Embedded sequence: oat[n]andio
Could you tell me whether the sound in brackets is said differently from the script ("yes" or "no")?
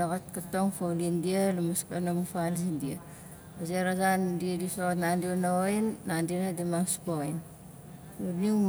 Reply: no